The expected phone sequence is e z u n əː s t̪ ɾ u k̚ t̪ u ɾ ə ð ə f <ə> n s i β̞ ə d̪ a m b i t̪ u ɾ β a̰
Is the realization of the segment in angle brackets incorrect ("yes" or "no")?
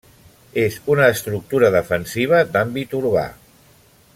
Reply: no